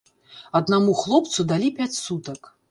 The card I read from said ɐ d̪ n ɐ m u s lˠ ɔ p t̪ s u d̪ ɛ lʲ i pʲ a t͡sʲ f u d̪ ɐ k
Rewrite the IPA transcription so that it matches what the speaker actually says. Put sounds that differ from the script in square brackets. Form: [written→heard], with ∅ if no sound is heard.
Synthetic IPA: ɐ d̪ n [ɐ→a] m u [s→x] lˠ ɔ p t̪ s u d̪ [ɛ→a] lʲ i pʲ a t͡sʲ [f→s] u [d̪→t̪] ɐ k